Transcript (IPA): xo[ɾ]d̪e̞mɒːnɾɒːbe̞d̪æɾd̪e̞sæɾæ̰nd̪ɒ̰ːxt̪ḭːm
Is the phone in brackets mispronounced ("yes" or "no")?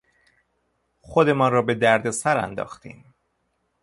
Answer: yes